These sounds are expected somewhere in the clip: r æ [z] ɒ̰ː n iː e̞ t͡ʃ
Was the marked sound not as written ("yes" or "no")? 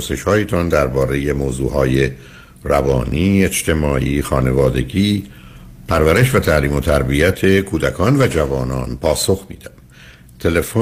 yes